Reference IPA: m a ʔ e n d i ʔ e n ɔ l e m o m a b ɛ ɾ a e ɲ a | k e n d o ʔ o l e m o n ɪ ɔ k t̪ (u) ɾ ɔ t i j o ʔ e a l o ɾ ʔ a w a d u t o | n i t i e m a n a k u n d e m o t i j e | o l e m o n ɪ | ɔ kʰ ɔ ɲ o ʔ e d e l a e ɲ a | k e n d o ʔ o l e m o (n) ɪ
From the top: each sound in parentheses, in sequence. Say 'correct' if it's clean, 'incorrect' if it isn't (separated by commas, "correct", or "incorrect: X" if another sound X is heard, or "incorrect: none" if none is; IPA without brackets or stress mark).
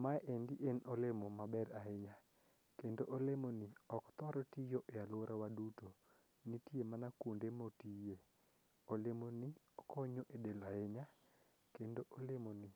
incorrect: ɔ, correct